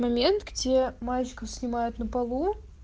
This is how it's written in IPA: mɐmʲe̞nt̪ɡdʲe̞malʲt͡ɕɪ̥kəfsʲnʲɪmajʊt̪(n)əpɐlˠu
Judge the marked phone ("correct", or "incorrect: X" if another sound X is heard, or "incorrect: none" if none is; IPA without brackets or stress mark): correct